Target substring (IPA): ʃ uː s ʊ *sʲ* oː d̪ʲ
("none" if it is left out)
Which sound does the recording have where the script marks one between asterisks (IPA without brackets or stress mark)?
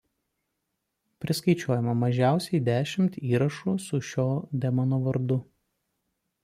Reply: ʃʲ